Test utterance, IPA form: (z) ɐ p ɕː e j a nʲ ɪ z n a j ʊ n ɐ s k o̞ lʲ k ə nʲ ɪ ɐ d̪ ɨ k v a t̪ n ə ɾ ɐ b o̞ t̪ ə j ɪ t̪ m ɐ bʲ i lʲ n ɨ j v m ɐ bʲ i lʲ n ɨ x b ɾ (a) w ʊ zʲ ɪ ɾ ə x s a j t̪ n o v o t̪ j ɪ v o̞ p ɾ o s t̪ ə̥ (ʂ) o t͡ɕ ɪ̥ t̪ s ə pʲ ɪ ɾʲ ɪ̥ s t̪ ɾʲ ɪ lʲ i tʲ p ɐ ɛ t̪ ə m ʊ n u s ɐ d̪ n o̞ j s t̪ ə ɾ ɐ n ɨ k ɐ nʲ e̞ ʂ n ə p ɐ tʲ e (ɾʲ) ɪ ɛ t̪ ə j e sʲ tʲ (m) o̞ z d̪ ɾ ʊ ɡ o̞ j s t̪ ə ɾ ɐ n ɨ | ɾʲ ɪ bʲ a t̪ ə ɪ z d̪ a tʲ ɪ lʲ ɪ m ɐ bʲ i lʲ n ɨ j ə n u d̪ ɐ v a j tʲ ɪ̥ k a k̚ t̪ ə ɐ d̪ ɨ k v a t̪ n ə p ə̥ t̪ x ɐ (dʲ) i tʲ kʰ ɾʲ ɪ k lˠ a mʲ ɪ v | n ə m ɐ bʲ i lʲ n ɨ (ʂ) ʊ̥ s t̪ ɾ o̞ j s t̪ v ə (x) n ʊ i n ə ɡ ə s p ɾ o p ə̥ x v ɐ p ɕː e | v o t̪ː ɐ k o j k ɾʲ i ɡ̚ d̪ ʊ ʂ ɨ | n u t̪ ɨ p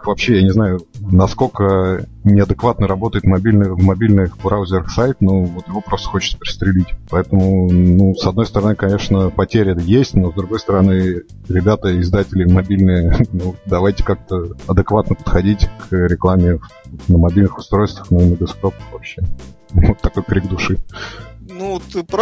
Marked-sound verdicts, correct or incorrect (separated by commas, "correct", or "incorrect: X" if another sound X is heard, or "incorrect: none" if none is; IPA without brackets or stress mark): incorrect: v, correct, incorrect: x, correct, incorrect: n, correct, incorrect: x, correct